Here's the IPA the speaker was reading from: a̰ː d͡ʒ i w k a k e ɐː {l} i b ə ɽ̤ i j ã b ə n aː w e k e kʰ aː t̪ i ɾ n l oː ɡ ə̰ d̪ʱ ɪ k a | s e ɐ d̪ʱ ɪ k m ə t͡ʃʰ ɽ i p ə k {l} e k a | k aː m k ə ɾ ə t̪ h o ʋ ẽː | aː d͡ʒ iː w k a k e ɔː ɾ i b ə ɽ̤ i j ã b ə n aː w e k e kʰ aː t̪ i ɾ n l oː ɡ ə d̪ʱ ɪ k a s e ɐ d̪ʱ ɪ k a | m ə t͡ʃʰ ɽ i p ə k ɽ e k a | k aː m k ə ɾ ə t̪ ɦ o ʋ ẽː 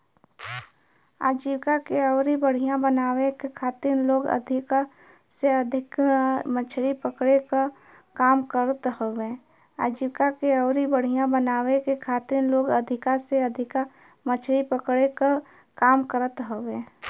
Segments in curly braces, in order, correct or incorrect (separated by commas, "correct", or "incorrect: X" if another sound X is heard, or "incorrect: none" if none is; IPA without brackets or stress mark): incorrect: ɾ, incorrect: ɽ